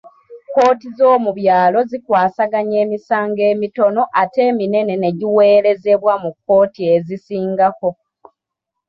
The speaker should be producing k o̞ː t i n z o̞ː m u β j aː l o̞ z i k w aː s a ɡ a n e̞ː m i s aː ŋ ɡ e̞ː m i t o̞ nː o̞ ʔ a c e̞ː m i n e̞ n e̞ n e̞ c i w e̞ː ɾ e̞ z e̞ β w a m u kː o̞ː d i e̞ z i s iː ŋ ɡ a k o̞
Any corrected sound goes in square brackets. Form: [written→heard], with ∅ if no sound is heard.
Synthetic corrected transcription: k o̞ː t i [n→∅] z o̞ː m u β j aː l o̞ z i k w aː s a ɡ a [n→ɲ] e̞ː m i s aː ŋ ɡ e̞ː m i t o̞ [nː→n] o̞ ʔ a [c→t] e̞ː m i n e̞ n e̞ n e̞ [c→ɟ] i w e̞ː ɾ e̞ z e̞ β w a m u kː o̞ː [d→t] i e̞ z i s iː ŋ ɡ a k o̞